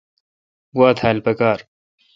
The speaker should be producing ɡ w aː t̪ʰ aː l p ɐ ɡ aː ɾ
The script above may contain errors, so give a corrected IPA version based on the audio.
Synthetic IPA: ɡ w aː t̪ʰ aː l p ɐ k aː ɾ